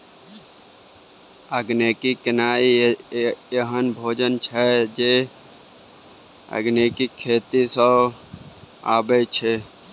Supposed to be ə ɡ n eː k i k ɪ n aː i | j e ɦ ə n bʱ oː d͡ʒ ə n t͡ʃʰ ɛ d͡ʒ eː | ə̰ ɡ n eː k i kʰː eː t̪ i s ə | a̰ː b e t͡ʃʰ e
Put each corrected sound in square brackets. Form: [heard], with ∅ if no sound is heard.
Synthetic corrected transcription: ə ɡ n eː k i k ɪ n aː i | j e ɦ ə n bʱ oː d͡ʒ ə n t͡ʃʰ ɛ d͡ʒ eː | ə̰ ɡ n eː k i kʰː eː t̪ i s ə | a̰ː b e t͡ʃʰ e